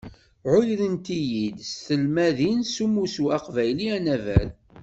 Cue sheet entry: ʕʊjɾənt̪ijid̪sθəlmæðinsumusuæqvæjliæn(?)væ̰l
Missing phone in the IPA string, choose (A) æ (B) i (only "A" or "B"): A